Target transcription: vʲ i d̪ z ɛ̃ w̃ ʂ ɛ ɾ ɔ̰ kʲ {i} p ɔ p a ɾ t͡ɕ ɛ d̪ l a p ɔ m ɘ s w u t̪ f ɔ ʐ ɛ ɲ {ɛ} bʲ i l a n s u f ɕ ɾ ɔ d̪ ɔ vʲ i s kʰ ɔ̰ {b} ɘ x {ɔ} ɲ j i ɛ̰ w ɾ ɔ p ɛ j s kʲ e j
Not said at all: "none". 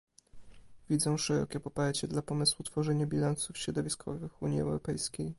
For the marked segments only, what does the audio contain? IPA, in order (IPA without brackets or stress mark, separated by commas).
ɛ, a, v, u